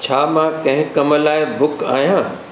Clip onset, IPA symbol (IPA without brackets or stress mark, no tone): t͡ɕʰ